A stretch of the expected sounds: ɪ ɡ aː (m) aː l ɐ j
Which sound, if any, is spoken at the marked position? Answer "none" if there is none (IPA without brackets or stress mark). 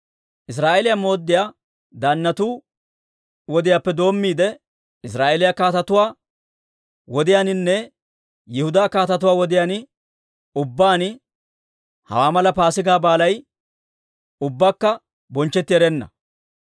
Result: b